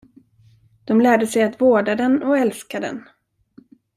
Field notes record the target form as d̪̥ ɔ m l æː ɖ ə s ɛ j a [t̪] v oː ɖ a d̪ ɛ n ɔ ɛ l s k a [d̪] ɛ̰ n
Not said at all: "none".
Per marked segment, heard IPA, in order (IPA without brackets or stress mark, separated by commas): t̪, d̪